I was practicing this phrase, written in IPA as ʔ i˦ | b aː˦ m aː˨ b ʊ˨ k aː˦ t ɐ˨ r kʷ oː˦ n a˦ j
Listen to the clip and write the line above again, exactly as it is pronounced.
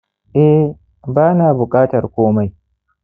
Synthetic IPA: ʔ ɛ˦ | b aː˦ n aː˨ b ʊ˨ kʼ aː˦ t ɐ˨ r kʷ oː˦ m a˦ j